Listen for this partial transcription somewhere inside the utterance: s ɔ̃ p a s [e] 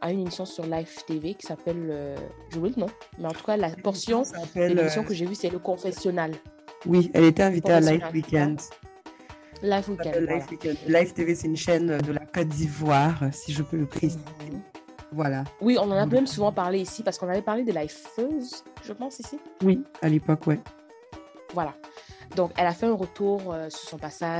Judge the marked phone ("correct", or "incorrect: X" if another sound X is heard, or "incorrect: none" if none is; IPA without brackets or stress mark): incorrect: a